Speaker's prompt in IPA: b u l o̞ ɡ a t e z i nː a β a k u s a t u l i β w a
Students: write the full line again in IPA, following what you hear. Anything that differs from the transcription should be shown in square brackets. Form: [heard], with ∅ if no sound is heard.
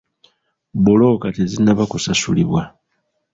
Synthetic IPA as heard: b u l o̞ [k] a t e z i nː a β a k u s a [s] u l i β w a